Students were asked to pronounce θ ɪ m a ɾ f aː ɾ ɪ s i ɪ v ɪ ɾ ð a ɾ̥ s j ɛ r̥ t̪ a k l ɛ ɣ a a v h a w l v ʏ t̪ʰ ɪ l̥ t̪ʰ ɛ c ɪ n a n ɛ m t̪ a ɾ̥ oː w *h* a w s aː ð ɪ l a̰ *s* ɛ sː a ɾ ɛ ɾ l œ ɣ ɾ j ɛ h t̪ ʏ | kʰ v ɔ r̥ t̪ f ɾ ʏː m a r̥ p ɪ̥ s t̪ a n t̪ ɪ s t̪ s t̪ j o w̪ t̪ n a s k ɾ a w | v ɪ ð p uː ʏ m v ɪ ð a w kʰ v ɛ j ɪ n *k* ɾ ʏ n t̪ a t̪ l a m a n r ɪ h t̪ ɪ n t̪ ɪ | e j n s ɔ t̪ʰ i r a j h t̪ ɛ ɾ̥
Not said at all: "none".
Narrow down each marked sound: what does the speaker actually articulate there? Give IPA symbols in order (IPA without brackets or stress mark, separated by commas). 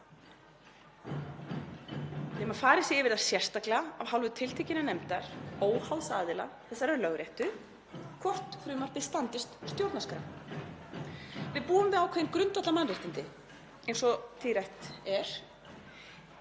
h, θ, k